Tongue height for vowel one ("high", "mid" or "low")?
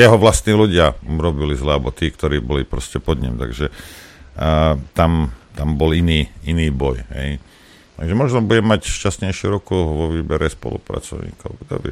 mid